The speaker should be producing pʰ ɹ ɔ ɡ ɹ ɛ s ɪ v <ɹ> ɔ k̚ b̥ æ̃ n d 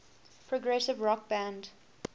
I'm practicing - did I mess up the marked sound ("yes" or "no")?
no